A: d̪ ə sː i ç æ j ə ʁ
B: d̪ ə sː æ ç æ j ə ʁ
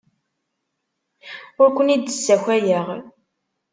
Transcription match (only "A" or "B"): B